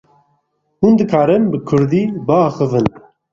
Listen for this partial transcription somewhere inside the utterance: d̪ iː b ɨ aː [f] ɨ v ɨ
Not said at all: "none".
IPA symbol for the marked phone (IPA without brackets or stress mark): x